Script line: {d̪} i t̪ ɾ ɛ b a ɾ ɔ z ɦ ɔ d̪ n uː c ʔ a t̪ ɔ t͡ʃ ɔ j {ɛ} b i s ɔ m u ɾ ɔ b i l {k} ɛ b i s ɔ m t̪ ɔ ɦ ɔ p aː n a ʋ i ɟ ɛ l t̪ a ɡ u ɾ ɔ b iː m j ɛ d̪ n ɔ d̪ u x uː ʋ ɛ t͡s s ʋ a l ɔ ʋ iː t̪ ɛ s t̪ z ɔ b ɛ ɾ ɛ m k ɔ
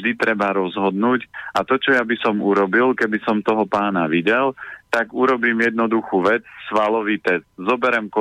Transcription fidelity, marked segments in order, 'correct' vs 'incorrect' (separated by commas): correct, incorrect, correct